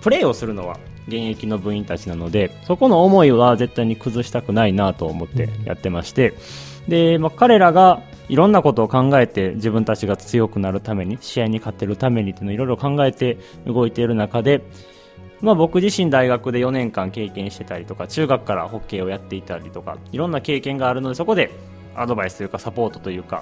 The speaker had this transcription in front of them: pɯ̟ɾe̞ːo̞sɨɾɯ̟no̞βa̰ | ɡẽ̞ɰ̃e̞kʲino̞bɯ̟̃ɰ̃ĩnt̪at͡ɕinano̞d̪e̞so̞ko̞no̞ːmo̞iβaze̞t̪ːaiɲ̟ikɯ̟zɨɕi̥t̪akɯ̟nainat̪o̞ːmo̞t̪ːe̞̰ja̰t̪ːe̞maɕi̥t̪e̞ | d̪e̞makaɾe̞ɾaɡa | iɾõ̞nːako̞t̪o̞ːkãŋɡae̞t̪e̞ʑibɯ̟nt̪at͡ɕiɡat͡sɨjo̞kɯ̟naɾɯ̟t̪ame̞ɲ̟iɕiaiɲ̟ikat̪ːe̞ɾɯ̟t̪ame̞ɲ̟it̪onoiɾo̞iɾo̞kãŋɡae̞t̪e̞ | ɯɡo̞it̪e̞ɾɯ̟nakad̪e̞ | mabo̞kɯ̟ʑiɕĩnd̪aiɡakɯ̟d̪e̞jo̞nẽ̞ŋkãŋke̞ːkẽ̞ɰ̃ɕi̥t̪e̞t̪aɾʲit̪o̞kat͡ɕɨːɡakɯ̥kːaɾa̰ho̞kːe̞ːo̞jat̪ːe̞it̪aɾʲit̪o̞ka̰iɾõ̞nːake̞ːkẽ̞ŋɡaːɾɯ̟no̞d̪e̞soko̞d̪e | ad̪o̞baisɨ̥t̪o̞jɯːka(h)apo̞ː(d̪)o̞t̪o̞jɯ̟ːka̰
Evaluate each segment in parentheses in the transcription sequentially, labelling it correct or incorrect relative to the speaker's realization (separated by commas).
incorrect, incorrect